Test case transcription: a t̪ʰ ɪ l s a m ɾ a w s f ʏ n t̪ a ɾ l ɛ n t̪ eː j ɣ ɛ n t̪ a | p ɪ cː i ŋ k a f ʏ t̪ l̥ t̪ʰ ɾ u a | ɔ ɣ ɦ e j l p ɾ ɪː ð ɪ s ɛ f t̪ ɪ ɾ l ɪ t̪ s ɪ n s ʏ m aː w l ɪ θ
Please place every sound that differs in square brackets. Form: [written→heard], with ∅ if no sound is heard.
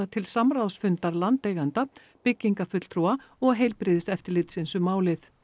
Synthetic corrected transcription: a t̪ʰ ɪ l s a m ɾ a w s f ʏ n t̪ a ɾ l [ɛ→a] n t̪ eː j ɣ [ɛ→a] n t̪ a | p ɪ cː i ŋ k a f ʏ t̪ l̥ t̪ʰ ɾ u a | ɔ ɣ ɦ e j l p ɾ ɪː ð ɪ s ɛ f t̪ ɪ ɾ l ɪ t̪ s ɪ n s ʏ m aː w l ɪ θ